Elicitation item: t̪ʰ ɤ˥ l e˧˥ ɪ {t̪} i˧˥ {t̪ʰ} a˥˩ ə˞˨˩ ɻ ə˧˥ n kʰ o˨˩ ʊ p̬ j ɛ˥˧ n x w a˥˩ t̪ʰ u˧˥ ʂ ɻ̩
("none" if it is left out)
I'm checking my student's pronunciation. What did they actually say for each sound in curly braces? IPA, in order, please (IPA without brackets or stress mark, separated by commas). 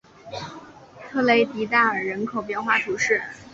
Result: t̪, t̪